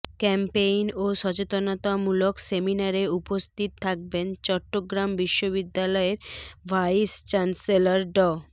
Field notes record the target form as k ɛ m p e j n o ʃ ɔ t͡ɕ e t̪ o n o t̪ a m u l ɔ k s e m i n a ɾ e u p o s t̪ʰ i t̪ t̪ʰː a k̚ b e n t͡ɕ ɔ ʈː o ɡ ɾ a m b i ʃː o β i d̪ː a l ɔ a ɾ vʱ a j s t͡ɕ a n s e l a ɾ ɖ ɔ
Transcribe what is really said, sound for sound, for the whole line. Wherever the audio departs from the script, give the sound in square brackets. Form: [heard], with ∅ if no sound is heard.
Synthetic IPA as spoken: k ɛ m p e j n o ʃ ɔ t͡ɕ e t̪ o n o t̪ a m u l [o] k s e m i n a ɾ e u p o s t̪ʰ i t̪ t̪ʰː a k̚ b e n t͡ɕ ɔ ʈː o ɡ ɾ a m b i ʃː o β i d̪ː a l ɔ [e] ɾ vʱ a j s t͡ɕ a n s e l a ɾ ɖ ɔ